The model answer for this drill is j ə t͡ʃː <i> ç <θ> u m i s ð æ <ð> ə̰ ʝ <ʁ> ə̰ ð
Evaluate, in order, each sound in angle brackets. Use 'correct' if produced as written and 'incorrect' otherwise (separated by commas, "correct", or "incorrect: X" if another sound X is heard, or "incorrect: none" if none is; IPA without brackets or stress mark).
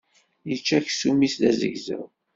incorrect: æ, incorrect: s, incorrect: z, incorrect: z